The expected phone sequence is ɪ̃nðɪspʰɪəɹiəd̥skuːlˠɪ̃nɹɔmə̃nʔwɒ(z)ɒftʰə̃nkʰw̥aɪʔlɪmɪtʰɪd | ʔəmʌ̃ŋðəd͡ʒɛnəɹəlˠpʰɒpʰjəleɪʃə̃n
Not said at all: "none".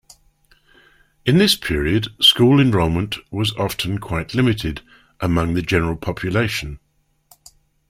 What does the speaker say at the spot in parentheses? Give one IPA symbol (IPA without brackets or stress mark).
z